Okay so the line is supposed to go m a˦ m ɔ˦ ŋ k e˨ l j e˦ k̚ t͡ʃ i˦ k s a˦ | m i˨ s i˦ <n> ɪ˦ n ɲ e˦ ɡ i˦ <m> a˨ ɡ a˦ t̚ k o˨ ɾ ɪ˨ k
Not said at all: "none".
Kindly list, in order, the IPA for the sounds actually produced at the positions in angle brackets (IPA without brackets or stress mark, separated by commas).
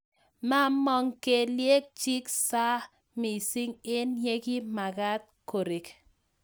ŋ, m